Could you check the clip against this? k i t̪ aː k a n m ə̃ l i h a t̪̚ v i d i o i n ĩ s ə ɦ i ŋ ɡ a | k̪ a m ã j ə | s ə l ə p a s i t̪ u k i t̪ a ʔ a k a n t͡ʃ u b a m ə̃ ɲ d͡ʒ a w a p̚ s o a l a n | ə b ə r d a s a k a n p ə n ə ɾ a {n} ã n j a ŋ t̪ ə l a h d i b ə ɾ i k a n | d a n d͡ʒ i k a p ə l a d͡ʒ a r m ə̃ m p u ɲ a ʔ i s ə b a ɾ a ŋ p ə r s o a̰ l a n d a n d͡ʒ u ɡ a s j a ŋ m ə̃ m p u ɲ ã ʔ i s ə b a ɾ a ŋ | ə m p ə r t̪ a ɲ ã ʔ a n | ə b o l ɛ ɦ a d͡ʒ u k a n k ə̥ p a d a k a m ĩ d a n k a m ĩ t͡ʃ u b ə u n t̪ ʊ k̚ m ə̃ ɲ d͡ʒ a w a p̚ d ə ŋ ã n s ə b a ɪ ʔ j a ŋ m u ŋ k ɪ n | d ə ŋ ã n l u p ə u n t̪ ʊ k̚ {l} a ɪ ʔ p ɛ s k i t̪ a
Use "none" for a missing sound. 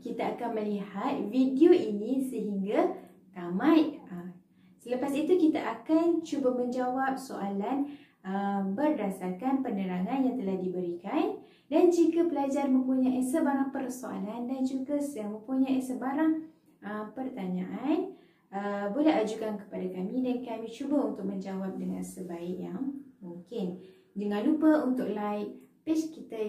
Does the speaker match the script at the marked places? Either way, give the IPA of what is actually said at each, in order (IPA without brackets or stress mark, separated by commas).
ŋ, l